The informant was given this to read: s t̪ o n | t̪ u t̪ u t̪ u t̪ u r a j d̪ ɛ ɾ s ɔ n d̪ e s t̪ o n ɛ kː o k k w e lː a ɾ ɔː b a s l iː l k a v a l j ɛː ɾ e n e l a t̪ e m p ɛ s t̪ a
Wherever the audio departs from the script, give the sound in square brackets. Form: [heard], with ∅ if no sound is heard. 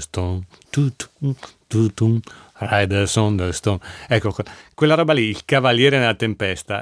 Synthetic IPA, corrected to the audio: s t̪ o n | t̪ u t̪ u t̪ u t̪ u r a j d̪ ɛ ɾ s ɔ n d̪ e s t̪ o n ɛ kː o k k w e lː a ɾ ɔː b a [∅] l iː l k a v a l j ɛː ɾ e n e l a t̪ e m p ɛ s t̪ a